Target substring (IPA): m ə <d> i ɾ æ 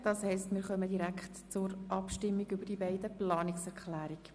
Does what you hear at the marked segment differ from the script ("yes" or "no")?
no